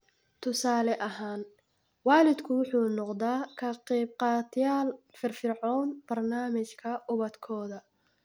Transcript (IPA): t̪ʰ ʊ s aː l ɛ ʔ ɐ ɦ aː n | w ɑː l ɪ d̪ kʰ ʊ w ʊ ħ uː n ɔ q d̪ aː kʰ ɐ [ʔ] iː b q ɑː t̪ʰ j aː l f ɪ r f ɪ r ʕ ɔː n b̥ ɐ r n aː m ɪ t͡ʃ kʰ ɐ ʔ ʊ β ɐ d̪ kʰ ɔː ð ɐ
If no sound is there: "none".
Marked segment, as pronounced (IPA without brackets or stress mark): q